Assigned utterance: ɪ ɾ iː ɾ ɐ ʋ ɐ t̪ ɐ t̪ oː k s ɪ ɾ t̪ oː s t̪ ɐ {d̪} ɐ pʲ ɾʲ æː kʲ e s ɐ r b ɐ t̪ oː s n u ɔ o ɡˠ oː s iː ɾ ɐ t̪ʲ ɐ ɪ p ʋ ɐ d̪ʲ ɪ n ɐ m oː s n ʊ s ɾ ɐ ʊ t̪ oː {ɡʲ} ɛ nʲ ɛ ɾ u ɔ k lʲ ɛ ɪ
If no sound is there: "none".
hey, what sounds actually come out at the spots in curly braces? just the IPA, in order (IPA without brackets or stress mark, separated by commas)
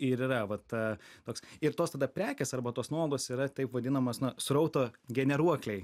d̪, ɡʲ